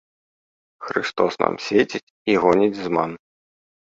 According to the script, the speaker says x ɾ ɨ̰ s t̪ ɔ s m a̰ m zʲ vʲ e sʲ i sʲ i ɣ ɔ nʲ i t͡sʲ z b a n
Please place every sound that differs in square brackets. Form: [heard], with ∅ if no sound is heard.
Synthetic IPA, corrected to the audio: x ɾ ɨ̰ s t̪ ɔ s [n] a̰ m [sʲ] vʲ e [t͡sʲ] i [t͡sʲ] i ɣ ɔ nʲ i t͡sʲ z [m] a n